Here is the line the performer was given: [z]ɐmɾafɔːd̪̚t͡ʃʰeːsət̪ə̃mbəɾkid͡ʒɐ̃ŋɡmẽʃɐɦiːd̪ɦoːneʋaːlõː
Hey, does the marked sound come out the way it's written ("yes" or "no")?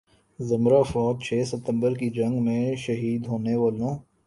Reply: yes